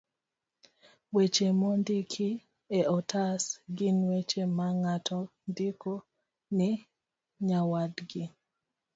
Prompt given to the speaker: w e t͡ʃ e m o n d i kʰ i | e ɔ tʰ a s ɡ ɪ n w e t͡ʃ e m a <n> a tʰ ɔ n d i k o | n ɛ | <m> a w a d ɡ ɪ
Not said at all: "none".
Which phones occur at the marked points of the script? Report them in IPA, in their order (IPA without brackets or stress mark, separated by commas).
ŋ, ɲ